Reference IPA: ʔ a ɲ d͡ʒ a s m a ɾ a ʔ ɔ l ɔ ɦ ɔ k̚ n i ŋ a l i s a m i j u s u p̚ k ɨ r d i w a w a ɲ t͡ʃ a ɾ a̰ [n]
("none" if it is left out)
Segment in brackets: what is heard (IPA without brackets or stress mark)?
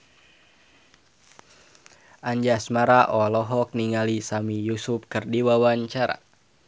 none